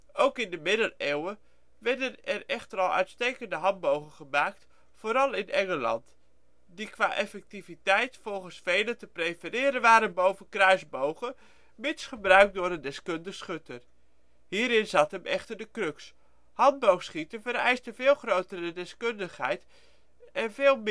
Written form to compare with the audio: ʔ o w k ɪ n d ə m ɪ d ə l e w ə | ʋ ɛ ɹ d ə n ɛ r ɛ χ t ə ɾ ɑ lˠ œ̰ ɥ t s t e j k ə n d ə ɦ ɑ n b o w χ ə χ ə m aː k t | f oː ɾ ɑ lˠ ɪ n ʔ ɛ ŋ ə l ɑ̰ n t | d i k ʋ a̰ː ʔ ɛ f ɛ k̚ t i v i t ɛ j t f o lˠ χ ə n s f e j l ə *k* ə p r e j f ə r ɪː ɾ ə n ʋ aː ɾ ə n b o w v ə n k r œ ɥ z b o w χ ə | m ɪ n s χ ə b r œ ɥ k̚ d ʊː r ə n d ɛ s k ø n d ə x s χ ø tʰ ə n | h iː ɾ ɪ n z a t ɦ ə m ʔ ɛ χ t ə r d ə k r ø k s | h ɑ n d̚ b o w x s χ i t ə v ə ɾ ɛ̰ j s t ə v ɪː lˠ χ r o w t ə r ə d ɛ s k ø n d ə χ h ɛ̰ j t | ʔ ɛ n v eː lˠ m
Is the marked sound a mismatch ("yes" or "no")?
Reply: yes